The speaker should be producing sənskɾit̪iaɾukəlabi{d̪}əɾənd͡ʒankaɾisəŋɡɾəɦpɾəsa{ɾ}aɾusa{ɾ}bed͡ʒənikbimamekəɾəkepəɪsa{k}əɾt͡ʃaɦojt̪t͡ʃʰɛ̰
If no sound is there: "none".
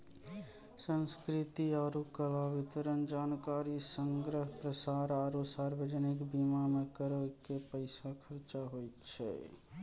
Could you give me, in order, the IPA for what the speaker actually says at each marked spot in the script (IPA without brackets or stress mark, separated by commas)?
t̪, ɾ, ɾ, kʰ